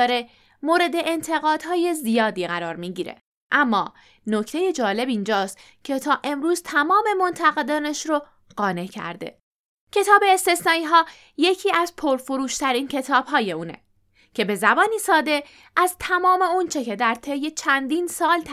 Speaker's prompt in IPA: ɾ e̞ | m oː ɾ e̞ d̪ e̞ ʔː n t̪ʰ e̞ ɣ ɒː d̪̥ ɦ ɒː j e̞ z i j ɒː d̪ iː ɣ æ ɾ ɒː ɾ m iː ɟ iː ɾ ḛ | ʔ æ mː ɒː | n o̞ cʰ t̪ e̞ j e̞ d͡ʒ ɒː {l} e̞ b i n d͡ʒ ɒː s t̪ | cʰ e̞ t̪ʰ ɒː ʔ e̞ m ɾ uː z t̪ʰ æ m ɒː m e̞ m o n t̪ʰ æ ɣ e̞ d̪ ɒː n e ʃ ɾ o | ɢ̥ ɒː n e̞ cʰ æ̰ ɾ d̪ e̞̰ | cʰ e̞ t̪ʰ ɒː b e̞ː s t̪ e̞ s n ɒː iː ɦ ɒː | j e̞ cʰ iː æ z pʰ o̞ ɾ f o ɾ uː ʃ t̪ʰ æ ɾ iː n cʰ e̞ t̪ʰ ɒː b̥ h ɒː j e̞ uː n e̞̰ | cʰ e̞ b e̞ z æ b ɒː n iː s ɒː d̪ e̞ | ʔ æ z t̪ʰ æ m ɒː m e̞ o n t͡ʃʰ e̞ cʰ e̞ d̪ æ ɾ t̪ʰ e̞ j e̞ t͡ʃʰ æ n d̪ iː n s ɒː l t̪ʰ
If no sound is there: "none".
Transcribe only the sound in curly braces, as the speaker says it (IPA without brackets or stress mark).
l